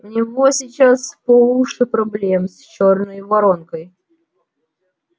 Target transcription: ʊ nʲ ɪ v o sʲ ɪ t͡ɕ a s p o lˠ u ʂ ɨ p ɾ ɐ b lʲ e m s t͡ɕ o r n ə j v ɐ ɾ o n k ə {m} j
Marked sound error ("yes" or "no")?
yes